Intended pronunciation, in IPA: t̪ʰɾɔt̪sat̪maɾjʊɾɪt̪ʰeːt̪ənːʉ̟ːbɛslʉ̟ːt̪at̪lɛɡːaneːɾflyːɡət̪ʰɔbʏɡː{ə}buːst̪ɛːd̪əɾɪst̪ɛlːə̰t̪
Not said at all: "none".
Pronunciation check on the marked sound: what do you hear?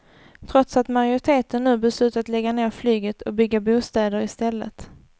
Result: a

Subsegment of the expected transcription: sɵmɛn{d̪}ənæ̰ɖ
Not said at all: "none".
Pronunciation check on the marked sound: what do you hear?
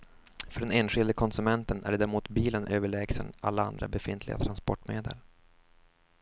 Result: t̪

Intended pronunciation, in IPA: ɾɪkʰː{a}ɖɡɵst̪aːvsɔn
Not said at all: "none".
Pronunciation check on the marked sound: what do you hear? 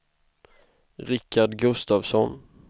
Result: a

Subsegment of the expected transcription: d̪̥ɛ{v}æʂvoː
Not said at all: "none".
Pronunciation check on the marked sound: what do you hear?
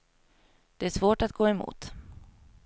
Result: none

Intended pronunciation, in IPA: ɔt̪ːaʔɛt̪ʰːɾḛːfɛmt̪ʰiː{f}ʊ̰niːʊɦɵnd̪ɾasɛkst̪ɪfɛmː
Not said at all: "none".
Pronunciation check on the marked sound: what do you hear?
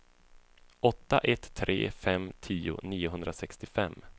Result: none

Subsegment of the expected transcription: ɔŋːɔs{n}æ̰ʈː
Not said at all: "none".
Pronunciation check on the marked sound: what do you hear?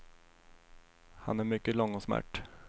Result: m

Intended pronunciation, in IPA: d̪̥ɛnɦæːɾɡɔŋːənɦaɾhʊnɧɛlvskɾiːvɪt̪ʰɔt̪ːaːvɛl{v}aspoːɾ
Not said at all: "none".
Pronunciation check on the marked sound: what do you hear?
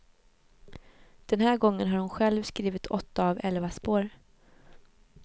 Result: v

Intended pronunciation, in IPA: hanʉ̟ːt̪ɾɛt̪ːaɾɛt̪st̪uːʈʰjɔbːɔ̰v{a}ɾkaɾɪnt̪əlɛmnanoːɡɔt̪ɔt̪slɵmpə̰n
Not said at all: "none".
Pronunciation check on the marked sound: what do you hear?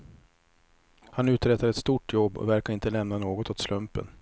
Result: æ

